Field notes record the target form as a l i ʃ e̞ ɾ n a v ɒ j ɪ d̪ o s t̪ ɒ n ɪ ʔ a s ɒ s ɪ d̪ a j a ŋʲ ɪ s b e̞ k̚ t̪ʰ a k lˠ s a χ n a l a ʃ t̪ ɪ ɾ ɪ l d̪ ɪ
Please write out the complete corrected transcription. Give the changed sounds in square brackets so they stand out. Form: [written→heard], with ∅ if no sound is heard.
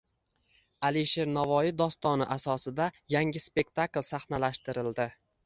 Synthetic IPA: a l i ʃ e̞ ɾ n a v ɒ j ɪ d̪ [o→ɒ] s t̪ ɒ n ɪ ʔ a s ɒ s ɪ d̪ a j a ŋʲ ɪ s [b→p] e̞ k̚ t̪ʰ a k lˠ s a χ n a l a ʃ t̪ ɪ ɾ ɪ l d̪ ɪ